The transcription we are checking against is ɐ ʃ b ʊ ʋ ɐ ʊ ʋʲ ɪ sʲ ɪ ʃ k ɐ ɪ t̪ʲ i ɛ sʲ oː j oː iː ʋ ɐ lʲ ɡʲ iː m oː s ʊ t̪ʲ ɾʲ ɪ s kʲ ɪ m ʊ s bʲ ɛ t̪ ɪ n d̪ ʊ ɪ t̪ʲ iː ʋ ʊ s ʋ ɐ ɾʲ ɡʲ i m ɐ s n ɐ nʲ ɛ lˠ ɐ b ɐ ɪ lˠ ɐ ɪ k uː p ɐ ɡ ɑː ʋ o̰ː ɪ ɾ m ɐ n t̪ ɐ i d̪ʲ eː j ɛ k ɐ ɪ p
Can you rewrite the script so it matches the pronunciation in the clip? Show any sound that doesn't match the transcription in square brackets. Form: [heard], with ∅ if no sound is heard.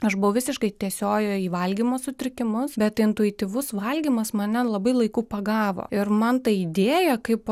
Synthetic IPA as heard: ɐ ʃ b ʊ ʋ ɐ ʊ ʋʲ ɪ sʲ ɪ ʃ k ɐ ɪ t̪ʲ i ɛ sʲ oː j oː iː ʋ ɐ lʲ ɡʲ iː m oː s ʊ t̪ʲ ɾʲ ɪ [∅] kʲ ɪ m ʊ s bʲ ɛ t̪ ɪ n [t̪] ʊ ɪ t̪ʲ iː ʋ ʊ s ʋ ɐ [lʲ] ɡʲ i m ɐ s [m] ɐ nʲ ɛ lˠ ɐ b ɐ ɪ lˠ ɐ ɪ k uː p ɐ ɡ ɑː ʋ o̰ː ɪ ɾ m ɐ n t̪ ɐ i d̪ʲ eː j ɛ k ɐ ɪ p

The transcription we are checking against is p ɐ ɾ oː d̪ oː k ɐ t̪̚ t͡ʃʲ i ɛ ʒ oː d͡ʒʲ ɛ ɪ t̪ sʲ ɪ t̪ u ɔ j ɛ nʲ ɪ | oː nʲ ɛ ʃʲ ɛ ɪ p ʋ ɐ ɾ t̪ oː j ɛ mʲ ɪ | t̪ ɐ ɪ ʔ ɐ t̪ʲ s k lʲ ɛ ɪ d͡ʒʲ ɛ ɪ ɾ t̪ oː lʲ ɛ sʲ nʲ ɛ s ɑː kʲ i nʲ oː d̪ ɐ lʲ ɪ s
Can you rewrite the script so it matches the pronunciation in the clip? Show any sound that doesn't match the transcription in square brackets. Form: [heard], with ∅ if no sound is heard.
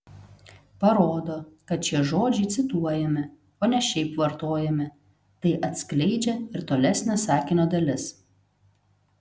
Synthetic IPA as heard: p ɐ ɾ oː d̪ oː k ɐ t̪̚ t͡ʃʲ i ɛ ʒ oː d͡ʒʲ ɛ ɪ t̪ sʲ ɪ t̪ u ɔ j ɛ [mʲ] ɪ | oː nʲ ɛ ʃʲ ɛ ɪ p ʋ ɐ ɾ t̪ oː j ɛ mʲ ɪ | t̪ ɐ ɪ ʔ ɐ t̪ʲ s k lʲ ɛ ɪ d͡ʒʲ ɛ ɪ ɾ t̪ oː lʲ ɛ sʲ nʲ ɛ s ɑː kʲ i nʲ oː d̪ ɐ lʲ ɪ s

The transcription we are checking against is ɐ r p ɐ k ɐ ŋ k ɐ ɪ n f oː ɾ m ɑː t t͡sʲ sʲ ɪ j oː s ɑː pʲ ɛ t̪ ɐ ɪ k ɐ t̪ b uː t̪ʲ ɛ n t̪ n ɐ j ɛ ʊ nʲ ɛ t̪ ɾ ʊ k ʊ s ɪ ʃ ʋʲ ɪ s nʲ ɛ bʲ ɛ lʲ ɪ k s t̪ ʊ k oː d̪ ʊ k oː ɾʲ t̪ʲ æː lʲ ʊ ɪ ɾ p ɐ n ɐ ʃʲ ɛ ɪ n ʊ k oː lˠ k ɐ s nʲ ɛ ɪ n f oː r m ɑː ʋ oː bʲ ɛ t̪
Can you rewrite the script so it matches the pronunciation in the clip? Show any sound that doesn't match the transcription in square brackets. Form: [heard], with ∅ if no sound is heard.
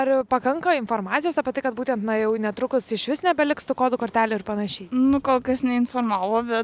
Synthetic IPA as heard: ɐ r p ɐ k ɐ ŋ k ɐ ɪ n f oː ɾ m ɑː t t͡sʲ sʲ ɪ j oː s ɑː pʲ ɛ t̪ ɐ ɪ k ɐ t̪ b uː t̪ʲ ɛ n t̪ n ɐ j ɛ ʊ nʲ ɛ t̪ ɾ ʊ k ʊ s ɪ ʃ ʋʲ ɪ s nʲ ɛ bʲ ɛ lʲ ɪ k s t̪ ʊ k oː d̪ ʊ k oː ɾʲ t̪ʲ æː lʲ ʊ ɪ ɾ p ɐ n ɐ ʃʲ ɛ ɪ n ʊ k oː lˠ k ɐ s nʲ ɛ ɪ n f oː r m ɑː ʋ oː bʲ ɛ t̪

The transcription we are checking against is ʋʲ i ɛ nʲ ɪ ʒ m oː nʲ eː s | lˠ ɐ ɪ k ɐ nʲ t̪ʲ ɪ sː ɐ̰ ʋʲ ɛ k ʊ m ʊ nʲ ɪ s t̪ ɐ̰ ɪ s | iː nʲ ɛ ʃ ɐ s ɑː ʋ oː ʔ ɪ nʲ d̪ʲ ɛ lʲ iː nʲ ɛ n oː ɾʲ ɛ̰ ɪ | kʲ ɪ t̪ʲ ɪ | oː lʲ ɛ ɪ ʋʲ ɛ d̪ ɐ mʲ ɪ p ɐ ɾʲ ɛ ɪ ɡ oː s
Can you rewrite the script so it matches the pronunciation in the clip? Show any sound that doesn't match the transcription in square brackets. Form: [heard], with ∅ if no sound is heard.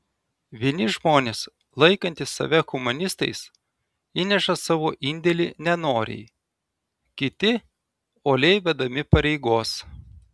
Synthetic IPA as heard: ʋʲ i ɛ nʲ ɪ ʒ m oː nʲ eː s | lˠ ɐ ɪ k ɐ nʲ t̪ʲ ɪ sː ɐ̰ ʋʲ ɛ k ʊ m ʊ nʲ ɪ s t̪ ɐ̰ ɪ s | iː nʲ ɛ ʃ ɐ s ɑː ʋ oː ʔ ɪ nʲ d̪ʲ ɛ lʲ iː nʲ ɛ n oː ɾʲ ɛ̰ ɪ | kʲ ɪ t̪ʲ ɪ | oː lʲ ɛ ɪ ʋʲ ɛ d̪ ɐ mʲ ɪ p ɐ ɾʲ ɛ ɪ ɡ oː s

